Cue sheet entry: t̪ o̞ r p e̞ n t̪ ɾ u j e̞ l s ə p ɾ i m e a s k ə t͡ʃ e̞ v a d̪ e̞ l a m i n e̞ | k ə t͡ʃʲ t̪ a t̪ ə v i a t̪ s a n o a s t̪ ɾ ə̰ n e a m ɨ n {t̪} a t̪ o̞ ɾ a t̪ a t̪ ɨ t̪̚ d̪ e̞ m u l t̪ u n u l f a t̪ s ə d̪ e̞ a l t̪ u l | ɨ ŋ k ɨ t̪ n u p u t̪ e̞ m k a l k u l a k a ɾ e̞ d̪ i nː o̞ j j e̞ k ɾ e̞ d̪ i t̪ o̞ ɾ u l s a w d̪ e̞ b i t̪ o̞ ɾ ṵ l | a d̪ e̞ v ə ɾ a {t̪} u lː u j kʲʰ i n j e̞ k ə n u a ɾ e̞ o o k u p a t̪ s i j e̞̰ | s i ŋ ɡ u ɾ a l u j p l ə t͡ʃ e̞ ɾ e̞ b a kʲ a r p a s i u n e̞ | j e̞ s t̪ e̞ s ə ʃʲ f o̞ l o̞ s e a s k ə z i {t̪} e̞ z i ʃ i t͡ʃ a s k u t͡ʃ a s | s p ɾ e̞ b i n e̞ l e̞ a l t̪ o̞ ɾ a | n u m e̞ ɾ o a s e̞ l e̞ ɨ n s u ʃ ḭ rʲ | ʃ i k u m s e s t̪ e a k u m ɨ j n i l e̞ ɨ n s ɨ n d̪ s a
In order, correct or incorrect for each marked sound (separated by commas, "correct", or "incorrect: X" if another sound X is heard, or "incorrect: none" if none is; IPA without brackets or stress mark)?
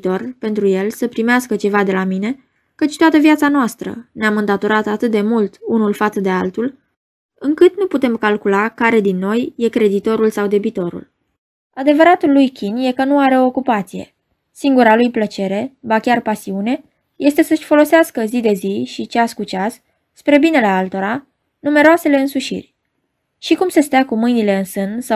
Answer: incorrect: d̪, correct, incorrect: d̪